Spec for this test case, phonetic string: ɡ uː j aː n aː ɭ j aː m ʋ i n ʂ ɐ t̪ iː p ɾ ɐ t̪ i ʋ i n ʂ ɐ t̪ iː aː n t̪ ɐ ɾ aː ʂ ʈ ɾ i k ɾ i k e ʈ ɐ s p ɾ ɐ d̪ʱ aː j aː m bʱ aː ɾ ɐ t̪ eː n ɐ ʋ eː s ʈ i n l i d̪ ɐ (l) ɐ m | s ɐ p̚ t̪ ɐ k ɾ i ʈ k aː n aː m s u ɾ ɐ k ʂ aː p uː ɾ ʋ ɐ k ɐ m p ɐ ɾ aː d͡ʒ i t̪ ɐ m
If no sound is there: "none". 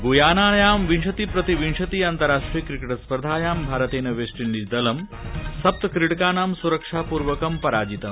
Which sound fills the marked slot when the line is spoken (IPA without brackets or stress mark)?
l